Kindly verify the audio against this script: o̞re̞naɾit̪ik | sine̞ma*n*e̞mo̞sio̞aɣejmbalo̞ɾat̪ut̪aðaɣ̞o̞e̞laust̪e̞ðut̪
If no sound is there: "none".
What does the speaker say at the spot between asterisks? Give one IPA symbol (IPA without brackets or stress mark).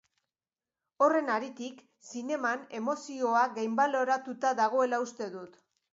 n